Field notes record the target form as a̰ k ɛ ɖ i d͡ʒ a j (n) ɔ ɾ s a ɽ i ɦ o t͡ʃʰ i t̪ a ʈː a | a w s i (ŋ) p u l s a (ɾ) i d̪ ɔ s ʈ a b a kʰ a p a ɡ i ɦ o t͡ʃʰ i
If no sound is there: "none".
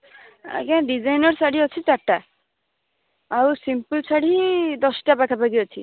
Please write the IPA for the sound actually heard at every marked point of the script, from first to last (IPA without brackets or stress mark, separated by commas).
n, m, ɽ